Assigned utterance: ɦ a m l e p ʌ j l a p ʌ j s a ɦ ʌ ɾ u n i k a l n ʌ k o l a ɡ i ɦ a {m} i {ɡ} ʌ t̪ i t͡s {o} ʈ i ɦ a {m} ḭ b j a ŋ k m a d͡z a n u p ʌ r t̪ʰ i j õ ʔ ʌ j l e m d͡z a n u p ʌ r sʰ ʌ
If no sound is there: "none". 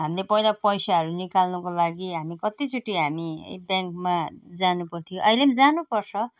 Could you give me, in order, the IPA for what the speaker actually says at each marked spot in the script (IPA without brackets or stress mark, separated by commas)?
m, k, u, m